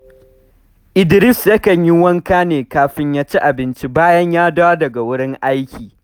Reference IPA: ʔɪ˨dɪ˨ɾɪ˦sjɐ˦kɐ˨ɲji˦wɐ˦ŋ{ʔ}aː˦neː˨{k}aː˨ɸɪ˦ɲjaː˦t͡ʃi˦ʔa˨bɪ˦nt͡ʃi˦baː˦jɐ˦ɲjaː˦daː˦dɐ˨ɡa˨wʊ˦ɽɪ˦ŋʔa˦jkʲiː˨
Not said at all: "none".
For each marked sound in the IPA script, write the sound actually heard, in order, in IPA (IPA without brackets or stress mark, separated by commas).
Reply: k, k